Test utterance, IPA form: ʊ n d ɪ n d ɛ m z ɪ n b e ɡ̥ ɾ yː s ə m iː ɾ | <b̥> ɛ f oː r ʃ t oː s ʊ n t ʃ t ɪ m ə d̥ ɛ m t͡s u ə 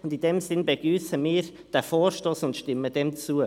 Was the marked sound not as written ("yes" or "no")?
yes